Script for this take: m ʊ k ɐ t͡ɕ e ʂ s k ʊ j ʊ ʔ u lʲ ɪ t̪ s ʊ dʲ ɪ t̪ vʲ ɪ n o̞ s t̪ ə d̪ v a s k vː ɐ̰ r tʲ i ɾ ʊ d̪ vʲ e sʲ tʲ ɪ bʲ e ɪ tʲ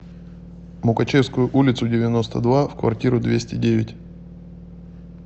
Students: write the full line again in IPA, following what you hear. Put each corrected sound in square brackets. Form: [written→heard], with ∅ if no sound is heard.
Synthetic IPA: m ʊ k ɐ t͡ɕ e [ʂ→f] s k ʊ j ʊ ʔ u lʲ ɪ t̪ s ʊ dʲ ɪ [t̪→∅] vʲ ɪ n o̞ s t̪ ə d̪ v a [s→f] k [vː→v] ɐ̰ r tʲ i ɾ ʊ d̪ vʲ e sʲ tʲ ɪ [bʲ→dʲ] e ɪ tʲ